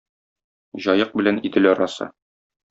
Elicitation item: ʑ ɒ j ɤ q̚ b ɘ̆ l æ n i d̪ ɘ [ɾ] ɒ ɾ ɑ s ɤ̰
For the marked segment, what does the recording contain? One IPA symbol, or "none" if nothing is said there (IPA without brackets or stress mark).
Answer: l